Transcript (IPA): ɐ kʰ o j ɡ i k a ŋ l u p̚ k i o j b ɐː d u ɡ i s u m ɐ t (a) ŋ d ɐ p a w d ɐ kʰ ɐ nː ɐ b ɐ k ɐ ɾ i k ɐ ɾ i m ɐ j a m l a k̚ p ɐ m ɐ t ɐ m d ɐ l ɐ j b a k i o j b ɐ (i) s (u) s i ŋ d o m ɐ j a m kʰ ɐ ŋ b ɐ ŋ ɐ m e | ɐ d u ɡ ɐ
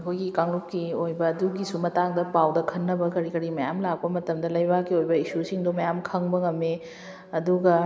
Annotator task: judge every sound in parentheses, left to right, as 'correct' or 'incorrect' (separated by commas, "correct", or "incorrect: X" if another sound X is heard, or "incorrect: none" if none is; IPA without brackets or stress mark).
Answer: correct, correct, correct